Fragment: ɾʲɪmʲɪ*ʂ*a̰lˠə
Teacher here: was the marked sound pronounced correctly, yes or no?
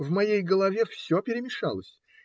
yes